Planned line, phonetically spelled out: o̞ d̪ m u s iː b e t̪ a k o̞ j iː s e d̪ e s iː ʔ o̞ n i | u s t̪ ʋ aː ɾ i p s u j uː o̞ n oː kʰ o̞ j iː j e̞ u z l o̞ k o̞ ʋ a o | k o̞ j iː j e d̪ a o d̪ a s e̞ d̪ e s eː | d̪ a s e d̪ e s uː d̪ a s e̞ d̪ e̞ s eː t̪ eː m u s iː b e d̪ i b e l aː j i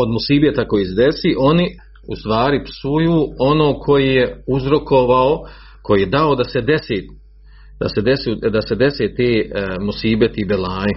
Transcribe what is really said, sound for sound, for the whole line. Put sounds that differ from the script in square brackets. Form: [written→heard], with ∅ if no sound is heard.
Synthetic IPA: o̞ d̪ m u s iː b e t̪ a k o̞ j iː s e d̪ e s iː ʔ o̞ n i | u s t̪ ʋ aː ɾ i p s u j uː o̞ n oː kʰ o̞ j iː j e̞ u z [l→ɾ] o̞ k o̞ ʋ a o | k o̞ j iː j e d̪ a o d̪ a s e̞ d̪ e s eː | d̪ a s e d̪ e s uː d̪ a s e̞ d̪ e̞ s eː t̪ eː m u s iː b e [d̪→t̪] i b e l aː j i